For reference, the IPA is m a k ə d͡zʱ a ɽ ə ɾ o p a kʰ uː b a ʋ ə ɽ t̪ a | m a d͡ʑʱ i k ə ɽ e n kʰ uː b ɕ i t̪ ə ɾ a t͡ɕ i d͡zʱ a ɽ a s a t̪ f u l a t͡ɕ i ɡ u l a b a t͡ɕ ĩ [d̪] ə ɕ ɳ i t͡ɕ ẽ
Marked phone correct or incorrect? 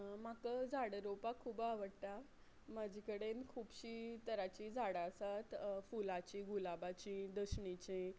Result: correct